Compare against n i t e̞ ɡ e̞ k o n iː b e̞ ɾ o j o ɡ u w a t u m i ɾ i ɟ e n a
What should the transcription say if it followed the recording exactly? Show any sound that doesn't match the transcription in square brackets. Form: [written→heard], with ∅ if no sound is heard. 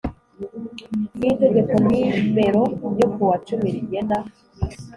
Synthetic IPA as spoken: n i t e̞ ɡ e̞ k o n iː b e̞ ɾ o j o [ɡ→k] u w a [t→t͡ʃ] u m i ɾ i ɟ e n a

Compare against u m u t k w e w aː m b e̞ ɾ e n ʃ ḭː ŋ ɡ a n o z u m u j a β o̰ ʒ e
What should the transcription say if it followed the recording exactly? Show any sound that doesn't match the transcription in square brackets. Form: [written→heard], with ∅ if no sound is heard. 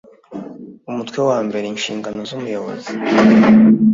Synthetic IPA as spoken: u m u t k w e w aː m b e̞ ɾ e n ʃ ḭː ŋ ɡ a n o z u m u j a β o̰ [ʒ→z] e

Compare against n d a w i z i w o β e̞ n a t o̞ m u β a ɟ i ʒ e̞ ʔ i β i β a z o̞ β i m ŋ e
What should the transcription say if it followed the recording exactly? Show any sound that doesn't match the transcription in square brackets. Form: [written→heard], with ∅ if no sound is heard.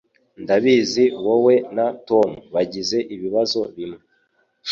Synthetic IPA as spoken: n d a [w→β] i z i w o [β→w] e̞ n a t o̞ m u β a ɟ i [ʒ→z] e̞ ʔ i β i β a z o̞ β i m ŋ e

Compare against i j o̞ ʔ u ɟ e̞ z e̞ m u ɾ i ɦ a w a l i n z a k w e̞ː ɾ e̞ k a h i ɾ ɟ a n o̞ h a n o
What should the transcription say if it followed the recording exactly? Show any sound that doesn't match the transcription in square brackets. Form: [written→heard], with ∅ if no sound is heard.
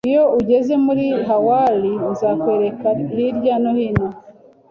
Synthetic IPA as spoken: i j o̞ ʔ u ɟ e̞ z e̞ m u ɾ i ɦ a w a l i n z a k w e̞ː ɾ e̞ k a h i ɾ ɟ a n o̞ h [a→i] n o

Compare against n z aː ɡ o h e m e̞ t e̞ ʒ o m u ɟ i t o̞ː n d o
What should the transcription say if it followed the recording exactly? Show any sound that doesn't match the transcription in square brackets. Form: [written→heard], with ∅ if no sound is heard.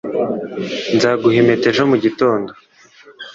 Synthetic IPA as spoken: n z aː ɡ [o→u] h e m e̞ t e̞ ʒ o m u ɟ i t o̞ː n d o

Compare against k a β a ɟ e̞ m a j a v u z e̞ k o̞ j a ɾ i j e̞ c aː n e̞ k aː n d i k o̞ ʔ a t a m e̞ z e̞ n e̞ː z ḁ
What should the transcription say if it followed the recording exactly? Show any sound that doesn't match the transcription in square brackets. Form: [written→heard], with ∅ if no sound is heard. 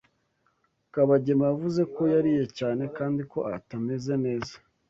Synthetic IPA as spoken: k a β a ɟ e̞ m a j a v u z e̞ k o̞ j a ɾ i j e̞ c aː n e̞ k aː n d i k o̞ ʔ a t a m e̞ z e̞ n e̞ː z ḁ

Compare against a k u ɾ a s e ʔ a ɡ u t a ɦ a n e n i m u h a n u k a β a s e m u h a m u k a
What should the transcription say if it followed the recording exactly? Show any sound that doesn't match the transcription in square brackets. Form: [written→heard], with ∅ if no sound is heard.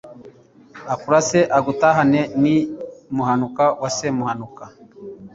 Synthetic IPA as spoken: a k u ɾ a s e ʔ a ɡ u t a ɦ a n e n i m u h a n u k a [β→w] a s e m u h a [m→n] u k a

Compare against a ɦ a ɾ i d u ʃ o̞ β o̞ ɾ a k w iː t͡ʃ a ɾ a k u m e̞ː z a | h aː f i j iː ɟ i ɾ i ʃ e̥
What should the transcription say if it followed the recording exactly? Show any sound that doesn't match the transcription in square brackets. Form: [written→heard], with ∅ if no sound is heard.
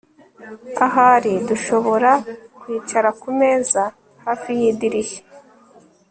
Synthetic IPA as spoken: a ɦ a ɾ i d u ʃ o̞ β o̞ ɾ a k w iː t͡ʃ a ɾ a k u m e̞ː z a | h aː f i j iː [ɟ→d] i ɾ i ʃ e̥

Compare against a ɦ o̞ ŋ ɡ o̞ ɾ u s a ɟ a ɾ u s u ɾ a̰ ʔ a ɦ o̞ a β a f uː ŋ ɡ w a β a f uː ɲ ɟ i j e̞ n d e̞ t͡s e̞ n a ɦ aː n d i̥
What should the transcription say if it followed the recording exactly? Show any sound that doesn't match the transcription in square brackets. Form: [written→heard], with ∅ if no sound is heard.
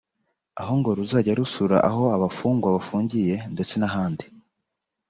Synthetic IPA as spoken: a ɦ o̞ ŋ ɡ o̞ ɾ u [s→z] a ɟ a ɾ u s u ɾ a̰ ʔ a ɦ o̞ a β a f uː ŋ ɡ w a β a f uː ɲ ɟ i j e̞ n d e̞ t͡s e̞ n a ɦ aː n d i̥

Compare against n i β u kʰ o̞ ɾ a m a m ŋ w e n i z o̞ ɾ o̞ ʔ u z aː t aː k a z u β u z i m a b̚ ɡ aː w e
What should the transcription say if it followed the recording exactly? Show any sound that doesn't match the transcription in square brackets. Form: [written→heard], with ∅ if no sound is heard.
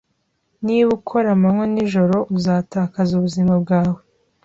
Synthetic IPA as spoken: n i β u kʰ o̞ ɾ a m a m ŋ w e n i [z→ʒ] o̞ ɾ o̞ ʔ u z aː t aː k a z u β u z i m a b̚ ɡ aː w e

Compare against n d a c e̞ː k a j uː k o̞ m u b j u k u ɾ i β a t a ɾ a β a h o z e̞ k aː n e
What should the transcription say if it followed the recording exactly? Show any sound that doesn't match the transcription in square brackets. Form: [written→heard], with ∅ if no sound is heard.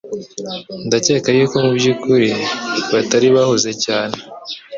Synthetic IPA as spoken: n d a c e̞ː k a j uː k o̞ m u b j u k u ɾ i β a t a ɾ [a→i] β a h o z e̞ [k→c] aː n e

